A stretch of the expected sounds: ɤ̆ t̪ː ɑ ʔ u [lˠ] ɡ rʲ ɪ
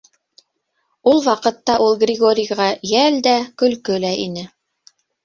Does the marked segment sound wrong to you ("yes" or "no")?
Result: no